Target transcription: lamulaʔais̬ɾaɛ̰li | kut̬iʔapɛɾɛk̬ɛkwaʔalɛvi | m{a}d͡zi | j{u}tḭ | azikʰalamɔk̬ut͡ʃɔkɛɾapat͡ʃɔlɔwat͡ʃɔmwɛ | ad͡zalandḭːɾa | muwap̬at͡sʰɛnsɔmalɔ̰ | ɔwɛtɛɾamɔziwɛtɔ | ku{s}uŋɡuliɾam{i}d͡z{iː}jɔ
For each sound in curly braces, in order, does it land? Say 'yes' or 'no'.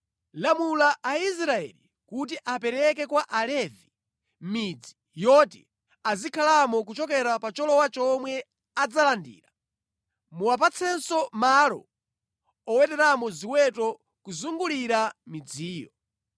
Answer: no, no, no, yes, yes

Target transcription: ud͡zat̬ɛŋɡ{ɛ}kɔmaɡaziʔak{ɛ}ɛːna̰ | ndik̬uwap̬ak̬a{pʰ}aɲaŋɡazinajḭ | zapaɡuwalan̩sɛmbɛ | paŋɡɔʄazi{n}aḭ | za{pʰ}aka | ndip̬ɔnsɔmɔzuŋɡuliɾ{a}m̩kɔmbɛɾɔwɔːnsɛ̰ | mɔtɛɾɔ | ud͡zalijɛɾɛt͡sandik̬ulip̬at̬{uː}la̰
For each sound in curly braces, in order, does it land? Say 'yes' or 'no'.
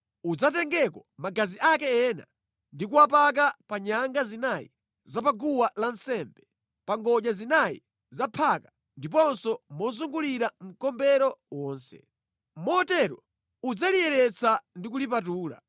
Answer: yes, yes, no, yes, yes, yes, yes

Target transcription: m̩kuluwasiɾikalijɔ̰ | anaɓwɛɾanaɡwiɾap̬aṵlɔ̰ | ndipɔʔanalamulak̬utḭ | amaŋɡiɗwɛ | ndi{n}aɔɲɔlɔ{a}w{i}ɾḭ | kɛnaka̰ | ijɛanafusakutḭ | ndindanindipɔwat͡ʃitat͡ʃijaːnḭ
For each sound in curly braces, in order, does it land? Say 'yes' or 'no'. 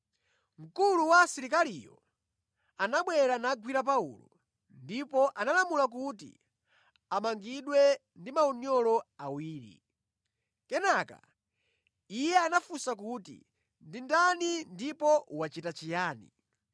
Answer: no, yes, no

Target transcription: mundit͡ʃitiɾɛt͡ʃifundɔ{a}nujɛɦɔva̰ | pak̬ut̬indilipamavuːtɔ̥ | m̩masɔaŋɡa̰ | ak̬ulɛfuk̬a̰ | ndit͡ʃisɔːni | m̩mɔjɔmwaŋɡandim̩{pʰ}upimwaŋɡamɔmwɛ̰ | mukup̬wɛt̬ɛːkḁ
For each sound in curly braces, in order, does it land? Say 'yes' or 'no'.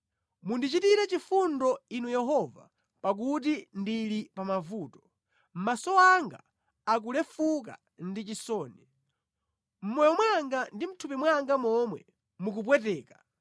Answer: no, no

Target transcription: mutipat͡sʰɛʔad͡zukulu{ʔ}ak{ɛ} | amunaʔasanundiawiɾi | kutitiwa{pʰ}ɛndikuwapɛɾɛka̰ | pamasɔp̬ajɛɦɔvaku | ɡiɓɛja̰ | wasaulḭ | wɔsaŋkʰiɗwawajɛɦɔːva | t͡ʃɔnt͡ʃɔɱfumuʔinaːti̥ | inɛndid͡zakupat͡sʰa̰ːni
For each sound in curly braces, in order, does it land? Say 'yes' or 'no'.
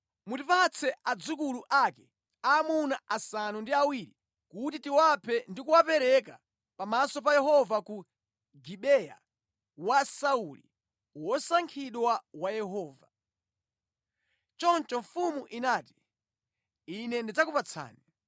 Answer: yes, yes, yes

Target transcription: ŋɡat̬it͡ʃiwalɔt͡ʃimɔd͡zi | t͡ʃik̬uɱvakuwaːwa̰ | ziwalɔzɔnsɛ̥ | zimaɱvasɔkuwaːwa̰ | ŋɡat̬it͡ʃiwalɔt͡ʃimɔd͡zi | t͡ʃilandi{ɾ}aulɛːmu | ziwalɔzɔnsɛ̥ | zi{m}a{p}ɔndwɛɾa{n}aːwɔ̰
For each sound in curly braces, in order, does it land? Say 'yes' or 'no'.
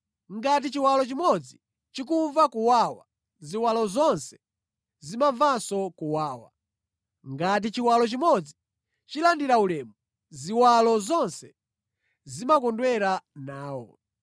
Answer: yes, yes, no, yes

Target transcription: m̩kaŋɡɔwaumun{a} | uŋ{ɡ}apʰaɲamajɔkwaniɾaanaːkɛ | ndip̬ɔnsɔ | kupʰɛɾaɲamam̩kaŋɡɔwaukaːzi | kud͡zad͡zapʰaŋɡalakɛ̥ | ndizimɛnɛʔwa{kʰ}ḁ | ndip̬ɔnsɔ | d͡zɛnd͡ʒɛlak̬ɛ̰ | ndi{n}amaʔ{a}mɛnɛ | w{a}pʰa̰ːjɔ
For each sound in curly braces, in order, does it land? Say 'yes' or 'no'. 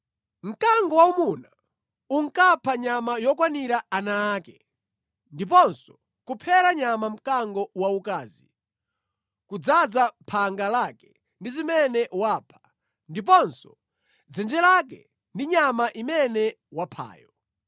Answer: yes, no, no, no, no, yes

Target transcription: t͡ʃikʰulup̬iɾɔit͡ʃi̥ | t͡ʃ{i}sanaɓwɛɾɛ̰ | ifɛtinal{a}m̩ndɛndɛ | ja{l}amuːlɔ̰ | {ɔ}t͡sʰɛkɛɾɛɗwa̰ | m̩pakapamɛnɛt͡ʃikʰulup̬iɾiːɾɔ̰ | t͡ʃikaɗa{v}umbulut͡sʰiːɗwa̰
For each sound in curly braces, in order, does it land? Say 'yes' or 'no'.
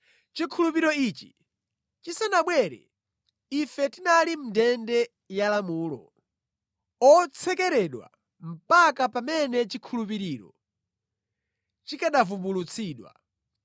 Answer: yes, no, yes, yes, yes

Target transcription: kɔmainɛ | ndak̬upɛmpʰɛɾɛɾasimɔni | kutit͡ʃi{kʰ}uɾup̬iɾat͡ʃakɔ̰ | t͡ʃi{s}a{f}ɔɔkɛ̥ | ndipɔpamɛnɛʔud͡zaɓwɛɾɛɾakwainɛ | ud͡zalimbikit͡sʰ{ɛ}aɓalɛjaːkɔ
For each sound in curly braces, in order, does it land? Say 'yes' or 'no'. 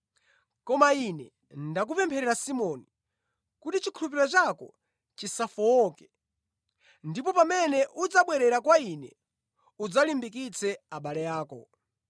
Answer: yes, yes, yes, yes

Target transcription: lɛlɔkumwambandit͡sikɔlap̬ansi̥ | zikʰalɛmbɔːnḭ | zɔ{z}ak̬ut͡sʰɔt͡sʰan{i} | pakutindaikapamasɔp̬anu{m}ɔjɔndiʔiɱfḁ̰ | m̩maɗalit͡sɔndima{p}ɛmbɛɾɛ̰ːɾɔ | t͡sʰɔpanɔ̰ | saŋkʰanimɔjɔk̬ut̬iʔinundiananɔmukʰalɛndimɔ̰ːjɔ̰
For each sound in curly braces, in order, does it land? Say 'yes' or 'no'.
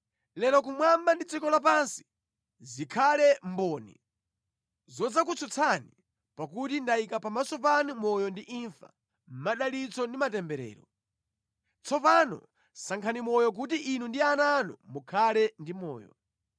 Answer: no, yes, yes, no

